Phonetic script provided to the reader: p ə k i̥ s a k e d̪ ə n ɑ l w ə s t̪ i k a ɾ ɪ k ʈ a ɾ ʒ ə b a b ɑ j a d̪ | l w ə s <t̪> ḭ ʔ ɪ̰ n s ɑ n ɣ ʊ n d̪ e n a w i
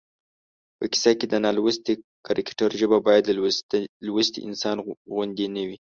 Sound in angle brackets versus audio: correct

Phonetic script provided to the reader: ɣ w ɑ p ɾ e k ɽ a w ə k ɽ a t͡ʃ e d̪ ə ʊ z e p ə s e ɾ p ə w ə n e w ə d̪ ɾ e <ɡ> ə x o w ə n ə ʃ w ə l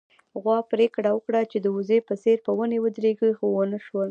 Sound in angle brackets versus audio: correct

